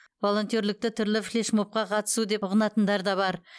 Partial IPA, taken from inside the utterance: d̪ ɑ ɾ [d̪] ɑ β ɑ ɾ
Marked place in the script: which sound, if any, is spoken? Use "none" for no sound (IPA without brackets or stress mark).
d̪